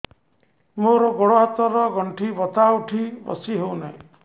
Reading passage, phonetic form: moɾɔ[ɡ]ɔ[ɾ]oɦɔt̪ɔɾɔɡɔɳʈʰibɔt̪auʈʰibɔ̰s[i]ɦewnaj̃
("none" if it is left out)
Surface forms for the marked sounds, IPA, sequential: ɡ, ɽ, i

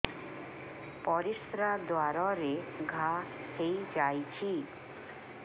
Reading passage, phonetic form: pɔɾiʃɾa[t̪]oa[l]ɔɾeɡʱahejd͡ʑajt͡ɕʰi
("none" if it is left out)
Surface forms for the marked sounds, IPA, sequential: d̪, ɾ

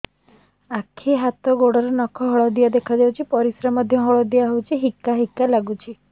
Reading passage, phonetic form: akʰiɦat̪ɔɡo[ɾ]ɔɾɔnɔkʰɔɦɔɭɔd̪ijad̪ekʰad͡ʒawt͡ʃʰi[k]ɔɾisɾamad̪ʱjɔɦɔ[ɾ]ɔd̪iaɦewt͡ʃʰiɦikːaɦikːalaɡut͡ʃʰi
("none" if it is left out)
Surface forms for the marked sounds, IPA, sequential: ɽ, p, ɭ

